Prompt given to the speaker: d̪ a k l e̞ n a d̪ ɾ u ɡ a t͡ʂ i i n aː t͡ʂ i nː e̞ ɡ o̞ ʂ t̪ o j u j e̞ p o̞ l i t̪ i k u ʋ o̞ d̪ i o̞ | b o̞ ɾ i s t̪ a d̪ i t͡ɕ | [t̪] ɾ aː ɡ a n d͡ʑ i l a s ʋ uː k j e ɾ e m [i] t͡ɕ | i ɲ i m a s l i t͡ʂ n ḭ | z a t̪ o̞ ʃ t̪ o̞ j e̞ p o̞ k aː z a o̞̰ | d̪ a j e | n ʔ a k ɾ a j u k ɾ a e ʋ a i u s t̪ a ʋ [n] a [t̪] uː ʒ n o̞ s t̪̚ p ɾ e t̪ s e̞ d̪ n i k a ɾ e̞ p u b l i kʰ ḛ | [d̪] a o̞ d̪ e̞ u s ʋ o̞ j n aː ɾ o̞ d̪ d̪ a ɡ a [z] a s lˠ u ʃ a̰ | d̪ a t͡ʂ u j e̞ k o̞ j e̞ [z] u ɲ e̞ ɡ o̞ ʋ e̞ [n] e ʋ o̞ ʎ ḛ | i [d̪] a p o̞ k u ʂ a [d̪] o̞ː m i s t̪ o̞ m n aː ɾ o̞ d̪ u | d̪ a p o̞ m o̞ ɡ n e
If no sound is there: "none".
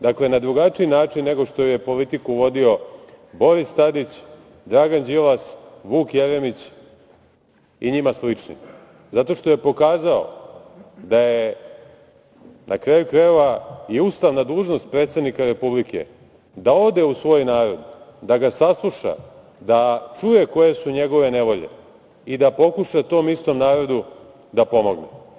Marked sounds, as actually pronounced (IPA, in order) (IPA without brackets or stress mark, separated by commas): d̪, i, n, d̪, d̪, s, s, n, d̪, t̪